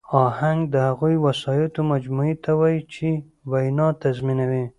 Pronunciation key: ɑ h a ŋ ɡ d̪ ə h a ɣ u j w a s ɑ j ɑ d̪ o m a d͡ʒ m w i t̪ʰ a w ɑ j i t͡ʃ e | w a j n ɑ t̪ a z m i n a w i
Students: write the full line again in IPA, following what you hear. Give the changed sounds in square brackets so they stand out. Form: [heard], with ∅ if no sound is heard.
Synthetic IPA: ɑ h a ŋ ɡ d̪ ə h a ɣ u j w a s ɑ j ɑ [t̪] o m a d͡ʒ m [u] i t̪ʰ a w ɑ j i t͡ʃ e | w a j n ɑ t̪ a z m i n a w i